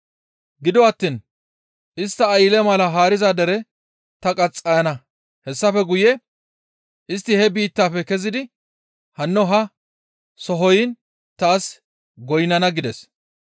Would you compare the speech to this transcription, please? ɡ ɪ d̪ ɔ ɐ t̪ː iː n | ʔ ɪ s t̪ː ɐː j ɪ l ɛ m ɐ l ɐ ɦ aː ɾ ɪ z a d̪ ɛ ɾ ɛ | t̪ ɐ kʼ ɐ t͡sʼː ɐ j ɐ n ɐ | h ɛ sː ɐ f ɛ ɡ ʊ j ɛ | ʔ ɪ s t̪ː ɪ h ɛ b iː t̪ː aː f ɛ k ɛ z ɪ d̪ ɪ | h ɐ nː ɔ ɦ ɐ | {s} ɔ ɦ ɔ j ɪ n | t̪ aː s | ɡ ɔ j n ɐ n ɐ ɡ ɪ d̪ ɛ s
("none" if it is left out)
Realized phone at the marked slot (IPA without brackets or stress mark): s